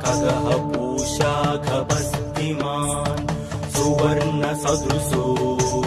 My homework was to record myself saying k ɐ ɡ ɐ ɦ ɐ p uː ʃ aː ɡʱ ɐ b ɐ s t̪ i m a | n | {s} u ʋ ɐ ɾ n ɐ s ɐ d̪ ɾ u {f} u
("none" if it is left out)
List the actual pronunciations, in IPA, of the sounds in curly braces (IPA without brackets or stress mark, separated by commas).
s, s